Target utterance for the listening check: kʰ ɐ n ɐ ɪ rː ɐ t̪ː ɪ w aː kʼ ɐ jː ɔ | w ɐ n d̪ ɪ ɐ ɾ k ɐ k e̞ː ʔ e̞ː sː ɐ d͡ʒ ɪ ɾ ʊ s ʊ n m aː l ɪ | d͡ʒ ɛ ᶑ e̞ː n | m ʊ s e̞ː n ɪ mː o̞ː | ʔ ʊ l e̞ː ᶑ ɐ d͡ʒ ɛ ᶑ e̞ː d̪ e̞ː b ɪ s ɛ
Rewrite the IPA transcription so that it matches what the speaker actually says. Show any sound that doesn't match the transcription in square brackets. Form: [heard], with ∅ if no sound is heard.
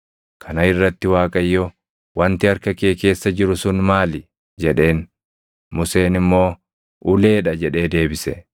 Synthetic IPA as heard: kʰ ɐ n ɐ ɪ rː ɐ t̪ː ɪ w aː kʼ ɐ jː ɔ | w ɐ n [t̪] ɪ ɐ ɾ k ɐ k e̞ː [k] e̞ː sː ɐ d͡ʒ ɪ ɾ ʊ s ʊ n m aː l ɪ | d͡ʒ ɛ ᶑ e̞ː n | m ʊ s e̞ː n ɪ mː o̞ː | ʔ ʊ l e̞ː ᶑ ɐ d͡ʒ ɛ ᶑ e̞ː d̪ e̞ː b ɪ s ɛ